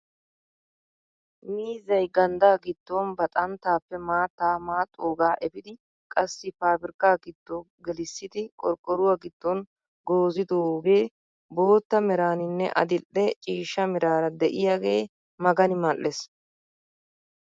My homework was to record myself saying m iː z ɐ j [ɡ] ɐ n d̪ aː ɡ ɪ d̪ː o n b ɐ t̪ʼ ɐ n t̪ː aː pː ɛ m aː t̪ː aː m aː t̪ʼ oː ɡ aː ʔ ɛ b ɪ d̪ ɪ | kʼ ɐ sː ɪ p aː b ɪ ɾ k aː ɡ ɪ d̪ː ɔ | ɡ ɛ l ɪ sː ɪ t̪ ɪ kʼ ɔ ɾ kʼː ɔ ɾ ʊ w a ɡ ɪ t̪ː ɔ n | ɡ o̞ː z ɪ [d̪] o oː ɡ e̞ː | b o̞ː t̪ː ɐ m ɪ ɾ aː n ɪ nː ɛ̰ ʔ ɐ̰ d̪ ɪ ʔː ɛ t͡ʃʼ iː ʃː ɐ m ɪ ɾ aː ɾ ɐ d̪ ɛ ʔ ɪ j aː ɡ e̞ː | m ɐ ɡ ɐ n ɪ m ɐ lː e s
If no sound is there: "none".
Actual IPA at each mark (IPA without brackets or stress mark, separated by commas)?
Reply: ɡ, d̪